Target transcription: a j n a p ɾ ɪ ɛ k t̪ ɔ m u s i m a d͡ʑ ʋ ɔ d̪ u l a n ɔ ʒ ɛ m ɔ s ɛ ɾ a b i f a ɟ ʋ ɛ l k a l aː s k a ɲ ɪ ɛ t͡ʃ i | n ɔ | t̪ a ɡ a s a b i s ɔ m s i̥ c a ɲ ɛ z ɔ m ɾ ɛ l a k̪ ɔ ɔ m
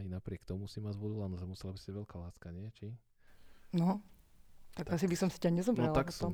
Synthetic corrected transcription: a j n a p ɾ ɪ ɛ k t̪ ɔ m u s i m a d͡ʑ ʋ ɔ d̪ u l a n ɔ ʒ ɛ m u s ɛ l a b i s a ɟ ʋ ɛ l k a l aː s k a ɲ ɪ ɛ t͡ʃ i | n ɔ | t̪ a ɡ a s i b i s ɔ m s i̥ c a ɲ ɛ z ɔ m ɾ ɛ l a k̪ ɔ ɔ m